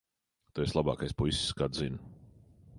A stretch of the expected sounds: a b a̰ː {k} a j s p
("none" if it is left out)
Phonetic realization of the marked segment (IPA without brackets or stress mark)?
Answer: k